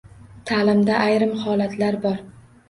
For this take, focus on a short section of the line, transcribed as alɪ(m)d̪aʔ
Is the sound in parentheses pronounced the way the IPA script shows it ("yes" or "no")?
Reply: yes